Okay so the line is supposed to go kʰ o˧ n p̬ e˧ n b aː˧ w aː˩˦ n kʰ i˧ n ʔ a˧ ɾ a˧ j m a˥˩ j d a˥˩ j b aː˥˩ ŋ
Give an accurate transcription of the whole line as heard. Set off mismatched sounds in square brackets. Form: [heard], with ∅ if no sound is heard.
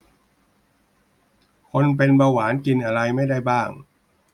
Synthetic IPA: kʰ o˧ n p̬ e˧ n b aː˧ w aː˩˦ n [k] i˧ n ʔ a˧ ɾ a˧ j m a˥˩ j d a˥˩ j b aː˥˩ ŋ